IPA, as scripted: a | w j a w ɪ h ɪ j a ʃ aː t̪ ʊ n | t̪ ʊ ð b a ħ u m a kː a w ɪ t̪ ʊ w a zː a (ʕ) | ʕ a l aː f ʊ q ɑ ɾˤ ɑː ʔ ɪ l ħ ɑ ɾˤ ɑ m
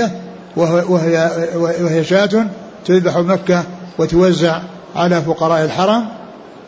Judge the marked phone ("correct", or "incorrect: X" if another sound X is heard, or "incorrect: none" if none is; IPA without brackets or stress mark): correct